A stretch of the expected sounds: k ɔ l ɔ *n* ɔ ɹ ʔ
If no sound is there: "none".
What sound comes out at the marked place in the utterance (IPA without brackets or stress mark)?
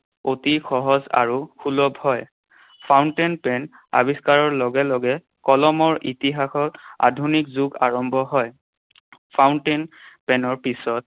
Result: m